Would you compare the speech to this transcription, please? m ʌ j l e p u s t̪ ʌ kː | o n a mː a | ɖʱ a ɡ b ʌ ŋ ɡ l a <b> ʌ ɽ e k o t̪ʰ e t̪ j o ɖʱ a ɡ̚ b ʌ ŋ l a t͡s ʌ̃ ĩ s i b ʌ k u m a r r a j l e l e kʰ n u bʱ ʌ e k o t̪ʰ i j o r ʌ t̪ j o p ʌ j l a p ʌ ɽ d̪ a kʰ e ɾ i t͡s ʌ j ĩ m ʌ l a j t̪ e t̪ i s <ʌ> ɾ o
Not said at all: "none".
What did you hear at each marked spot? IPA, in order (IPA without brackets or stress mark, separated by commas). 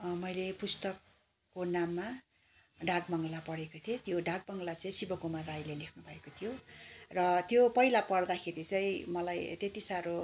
p, a